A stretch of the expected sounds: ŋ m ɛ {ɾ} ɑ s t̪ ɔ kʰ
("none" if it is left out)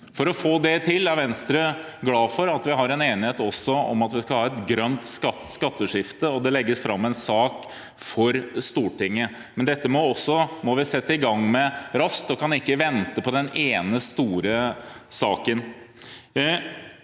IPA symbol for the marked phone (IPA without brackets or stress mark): ɾ